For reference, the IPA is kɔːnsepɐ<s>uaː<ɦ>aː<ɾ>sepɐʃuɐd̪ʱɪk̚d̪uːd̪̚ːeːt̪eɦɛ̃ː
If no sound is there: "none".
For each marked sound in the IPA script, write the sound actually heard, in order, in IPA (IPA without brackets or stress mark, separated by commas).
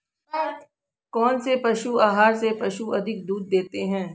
ʃ, ɦ, ɾ